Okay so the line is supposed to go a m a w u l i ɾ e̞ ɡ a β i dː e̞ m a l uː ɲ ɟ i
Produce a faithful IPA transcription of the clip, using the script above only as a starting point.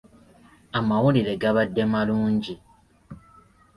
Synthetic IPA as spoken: a m a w u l i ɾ e̞ ɡ a β a dː e̞ m a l uː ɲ ɟ i